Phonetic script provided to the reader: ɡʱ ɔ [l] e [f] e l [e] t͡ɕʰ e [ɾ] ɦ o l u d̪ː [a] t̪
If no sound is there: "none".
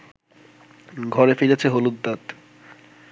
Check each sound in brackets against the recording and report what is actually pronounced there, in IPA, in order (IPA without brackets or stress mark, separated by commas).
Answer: ɾ, f, e, none, a